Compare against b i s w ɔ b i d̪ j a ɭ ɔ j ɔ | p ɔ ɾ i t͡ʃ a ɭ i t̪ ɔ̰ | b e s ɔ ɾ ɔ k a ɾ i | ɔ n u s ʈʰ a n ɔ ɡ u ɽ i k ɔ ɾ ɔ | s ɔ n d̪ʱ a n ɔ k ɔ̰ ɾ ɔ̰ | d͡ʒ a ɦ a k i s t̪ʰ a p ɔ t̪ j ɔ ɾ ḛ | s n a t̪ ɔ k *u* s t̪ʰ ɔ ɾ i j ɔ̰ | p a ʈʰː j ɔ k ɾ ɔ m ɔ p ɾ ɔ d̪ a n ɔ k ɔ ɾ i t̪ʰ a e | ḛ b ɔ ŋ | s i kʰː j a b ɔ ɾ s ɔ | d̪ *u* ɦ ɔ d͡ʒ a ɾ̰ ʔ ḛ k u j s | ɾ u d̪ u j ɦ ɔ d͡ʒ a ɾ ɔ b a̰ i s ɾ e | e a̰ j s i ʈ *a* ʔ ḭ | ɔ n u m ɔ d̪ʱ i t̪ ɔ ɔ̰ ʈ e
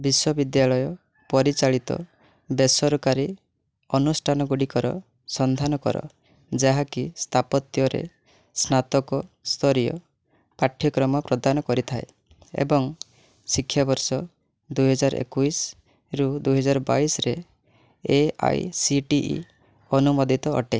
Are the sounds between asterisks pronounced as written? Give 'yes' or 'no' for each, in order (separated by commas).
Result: no, yes, no